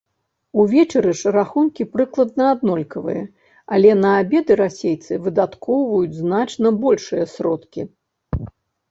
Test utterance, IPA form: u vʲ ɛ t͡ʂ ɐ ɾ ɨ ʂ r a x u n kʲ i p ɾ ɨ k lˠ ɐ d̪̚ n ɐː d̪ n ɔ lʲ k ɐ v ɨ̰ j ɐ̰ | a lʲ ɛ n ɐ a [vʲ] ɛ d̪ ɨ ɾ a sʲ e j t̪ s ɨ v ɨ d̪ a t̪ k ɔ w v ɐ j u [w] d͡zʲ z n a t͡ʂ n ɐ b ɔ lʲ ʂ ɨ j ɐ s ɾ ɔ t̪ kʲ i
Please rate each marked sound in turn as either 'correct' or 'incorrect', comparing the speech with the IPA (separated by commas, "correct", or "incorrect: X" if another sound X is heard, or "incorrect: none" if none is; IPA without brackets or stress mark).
incorrect: bʲ, incorrect: none